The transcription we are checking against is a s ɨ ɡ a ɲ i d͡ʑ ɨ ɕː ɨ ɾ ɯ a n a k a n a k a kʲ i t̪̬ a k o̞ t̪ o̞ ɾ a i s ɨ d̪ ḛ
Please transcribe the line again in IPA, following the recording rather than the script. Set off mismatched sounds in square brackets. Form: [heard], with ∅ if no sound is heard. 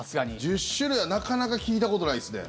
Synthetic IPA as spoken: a s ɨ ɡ a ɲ i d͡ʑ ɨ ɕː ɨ ɾ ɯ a n a k a n a k a kʲ [iː] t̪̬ a k o̞ t̪ o̞ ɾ a i s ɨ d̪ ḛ